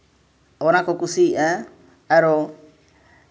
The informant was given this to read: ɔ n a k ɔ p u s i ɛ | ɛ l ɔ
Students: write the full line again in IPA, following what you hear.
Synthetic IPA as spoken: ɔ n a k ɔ k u s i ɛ | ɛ ɾ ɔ